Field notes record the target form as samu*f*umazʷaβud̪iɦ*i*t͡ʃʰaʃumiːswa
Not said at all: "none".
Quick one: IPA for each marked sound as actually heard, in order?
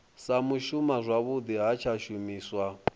ʃ, a

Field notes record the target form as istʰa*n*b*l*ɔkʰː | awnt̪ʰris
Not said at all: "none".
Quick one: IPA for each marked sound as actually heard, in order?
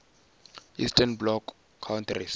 n, l

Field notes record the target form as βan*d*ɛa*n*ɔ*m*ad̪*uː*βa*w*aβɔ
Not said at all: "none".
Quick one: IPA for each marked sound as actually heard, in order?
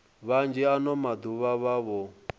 d͡ʒ, n, m, u, β

